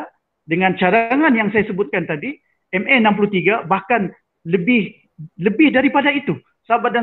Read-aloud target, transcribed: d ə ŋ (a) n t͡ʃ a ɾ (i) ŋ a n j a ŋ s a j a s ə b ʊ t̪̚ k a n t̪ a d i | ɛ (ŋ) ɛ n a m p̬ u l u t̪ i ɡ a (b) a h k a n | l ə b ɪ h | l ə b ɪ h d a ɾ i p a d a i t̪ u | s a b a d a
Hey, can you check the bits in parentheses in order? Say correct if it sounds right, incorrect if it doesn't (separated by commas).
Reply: correct, incorrect, incorrect, correct